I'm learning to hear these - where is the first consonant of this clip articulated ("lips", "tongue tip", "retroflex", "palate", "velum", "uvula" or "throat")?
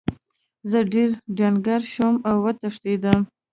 tongue tip